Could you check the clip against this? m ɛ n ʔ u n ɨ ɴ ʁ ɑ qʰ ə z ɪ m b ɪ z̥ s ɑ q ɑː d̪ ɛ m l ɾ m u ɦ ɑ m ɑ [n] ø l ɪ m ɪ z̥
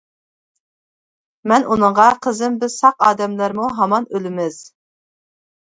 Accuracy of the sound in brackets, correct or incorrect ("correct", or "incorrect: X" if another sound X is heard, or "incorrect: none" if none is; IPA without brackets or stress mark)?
correct